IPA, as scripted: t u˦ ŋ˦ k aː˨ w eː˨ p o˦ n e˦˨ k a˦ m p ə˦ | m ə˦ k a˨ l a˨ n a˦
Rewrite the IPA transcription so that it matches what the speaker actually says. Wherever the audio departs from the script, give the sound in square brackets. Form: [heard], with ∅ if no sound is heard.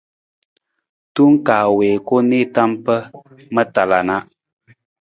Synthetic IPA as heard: t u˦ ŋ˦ k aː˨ w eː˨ [k] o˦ n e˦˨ [t] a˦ m p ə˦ | m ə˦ [t] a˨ l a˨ n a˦